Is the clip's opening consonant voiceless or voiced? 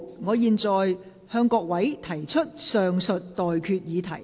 voiced